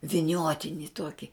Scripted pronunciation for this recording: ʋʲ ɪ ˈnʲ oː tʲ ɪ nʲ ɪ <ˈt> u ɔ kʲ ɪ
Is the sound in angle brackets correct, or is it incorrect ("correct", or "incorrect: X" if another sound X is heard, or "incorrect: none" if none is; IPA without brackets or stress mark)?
correct